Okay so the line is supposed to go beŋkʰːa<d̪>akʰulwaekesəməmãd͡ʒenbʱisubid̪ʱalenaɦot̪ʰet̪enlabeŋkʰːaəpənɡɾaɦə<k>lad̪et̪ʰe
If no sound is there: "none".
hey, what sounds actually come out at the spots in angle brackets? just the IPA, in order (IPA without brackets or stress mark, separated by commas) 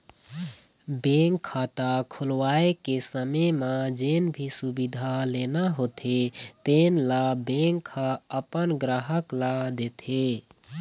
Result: t̪, k